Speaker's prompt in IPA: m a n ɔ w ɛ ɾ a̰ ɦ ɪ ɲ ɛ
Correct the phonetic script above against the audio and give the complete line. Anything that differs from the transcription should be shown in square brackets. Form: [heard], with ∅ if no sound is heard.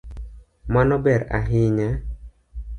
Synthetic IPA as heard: m a n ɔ [b] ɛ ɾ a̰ ɦ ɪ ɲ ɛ